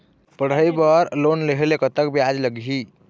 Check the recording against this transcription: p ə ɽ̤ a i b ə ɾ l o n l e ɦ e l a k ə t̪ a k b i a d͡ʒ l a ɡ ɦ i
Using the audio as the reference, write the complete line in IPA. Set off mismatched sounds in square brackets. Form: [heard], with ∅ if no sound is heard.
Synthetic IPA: p ə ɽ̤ [ə] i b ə ɾ l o n l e ɦ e l [e] k ə t̪ [ə] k b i a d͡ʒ l [ə] ɡ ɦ i

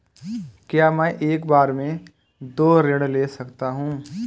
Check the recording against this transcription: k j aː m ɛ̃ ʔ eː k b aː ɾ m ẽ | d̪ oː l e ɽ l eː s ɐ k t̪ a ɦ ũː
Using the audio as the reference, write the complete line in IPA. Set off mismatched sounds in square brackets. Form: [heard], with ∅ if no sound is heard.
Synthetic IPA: k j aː m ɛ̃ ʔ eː k b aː ɾ m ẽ | d̪ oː [ɾ] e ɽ l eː s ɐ k t̪ a ɦ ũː

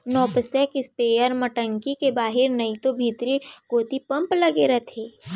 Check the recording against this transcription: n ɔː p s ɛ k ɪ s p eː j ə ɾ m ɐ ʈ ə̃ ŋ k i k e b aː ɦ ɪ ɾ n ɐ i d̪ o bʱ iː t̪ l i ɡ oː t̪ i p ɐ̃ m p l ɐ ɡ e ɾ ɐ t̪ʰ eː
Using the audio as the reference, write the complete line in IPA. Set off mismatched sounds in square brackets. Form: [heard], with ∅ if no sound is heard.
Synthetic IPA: n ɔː p s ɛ k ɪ s p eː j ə ɾ m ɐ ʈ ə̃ ŋ k i k e b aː ɦ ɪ ɾ n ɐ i [t̪] o bʱ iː t̪ [ɾ] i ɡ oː t̪ i p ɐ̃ m p l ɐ ɡ e ɾ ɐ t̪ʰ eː

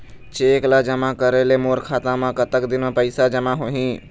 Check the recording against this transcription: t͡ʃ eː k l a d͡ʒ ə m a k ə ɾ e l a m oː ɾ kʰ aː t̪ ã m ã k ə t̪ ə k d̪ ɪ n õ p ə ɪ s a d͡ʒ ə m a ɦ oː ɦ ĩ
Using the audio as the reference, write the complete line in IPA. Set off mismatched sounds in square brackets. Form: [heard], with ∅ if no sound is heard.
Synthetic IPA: t͡ʃ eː k l a d͡ʒ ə m a k ə ɾ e l [e] m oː ɾ kʰ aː t̪ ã m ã k ə t̪ ə k d̪ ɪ n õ p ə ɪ s a d͡ʒ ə m a ɦ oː ɦ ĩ

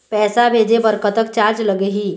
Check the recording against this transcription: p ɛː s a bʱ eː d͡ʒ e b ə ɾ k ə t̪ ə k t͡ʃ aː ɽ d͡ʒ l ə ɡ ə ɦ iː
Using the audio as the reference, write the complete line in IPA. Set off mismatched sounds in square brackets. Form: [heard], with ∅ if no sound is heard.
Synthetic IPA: p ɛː s a bʱ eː d͡ʒ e b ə ɾ k ə t̪ ə k t͡ʃ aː [ɾ] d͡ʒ l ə ɡ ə ɦ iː

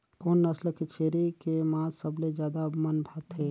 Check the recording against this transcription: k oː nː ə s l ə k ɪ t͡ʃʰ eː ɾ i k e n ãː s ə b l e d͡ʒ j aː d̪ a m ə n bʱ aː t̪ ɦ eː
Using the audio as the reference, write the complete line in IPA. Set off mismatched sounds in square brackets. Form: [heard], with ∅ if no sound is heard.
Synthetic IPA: k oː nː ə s l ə k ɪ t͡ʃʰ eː ɾ i k e [m] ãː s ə b l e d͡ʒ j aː d̪ a m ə n bʱ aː t̪ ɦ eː

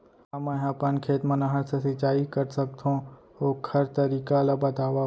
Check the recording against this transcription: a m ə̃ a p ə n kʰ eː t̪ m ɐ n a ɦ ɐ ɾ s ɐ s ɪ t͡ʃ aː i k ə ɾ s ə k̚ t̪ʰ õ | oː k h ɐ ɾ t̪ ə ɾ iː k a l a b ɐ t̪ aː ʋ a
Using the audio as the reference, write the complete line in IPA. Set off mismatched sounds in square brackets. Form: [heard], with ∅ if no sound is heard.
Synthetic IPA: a m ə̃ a p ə n kʰ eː t̪ m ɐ n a ɦ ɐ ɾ s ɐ s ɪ t͡ʃ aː i k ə ɾ s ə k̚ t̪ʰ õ | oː k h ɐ ɾ t̪ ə ɾ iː k a l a b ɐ t̪ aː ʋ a

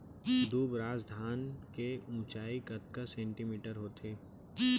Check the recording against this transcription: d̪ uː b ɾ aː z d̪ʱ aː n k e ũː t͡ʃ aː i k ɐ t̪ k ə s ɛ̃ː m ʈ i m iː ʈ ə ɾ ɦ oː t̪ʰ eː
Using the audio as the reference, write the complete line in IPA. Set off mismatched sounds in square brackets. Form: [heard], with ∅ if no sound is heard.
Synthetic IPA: d̪ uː b ɾ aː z d̪ʱ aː n k e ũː t͡ʃ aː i k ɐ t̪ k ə s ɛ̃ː [ɳ] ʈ i m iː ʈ ə ɾ ɦ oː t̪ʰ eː

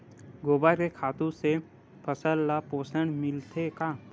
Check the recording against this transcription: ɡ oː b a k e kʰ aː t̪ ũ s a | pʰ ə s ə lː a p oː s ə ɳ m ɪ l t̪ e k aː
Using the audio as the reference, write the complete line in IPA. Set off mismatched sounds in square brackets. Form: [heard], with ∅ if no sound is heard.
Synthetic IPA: ɡ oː b a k e kʰ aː t̪ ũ s [e] | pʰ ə s ə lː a p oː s ə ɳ m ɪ l t̪ e k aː

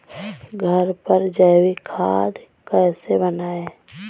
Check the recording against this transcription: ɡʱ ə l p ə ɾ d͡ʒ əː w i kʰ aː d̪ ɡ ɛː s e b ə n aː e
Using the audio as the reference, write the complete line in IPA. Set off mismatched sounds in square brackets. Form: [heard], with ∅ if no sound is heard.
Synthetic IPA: ɡʱ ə [ɾ] p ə ɾ d͡ʒ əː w i kʰ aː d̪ [k] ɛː s e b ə n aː e

